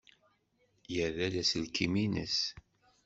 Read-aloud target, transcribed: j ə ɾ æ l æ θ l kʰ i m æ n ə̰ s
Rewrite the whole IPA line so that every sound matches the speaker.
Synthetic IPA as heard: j ə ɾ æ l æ s l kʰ i m i n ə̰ s